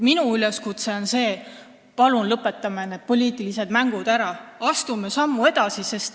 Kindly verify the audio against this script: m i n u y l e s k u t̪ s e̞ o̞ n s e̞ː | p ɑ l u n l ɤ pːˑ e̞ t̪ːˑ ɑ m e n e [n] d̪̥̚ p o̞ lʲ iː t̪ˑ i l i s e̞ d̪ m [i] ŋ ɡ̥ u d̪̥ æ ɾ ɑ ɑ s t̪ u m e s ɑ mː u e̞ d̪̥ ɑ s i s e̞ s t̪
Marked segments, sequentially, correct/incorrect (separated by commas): incorrect, incorrect